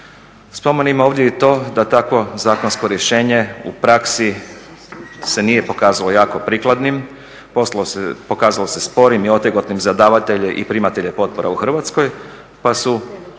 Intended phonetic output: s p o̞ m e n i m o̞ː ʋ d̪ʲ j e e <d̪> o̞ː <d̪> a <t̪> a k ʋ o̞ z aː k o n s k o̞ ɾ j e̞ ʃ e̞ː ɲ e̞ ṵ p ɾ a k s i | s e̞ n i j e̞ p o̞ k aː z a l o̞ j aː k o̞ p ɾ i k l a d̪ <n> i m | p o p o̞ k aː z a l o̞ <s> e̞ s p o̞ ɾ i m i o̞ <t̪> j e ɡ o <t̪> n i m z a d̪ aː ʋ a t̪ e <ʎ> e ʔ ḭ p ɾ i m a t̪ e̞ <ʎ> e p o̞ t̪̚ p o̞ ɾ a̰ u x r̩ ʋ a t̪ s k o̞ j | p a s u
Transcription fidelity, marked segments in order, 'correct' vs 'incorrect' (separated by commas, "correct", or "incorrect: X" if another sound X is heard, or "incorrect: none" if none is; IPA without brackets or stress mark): incorrect: t̪, correct, correct, correct, correct, correct, correct, correct, correct